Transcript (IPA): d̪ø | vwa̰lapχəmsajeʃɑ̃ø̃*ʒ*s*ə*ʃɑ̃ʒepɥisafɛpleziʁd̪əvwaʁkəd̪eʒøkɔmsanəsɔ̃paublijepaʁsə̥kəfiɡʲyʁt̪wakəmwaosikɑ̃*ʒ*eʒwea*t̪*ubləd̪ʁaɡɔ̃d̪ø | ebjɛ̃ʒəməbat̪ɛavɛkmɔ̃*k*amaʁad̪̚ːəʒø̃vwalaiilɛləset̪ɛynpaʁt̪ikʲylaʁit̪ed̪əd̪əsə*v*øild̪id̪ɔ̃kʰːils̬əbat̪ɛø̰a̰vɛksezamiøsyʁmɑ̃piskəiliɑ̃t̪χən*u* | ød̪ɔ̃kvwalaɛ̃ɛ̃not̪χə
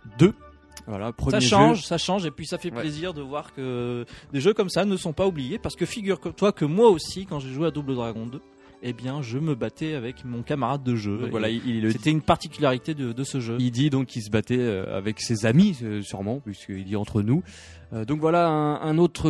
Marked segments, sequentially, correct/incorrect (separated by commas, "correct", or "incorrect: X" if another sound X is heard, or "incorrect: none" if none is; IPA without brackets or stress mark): correct, incorrect: a, correct, incorrect: d̪, correct, incorrect: ʒ, correct